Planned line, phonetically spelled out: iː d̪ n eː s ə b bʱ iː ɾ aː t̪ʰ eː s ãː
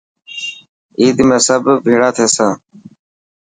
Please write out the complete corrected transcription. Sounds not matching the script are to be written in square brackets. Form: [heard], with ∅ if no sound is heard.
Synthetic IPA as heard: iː d̪ [m] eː s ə b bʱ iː [ɽ] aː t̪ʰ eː s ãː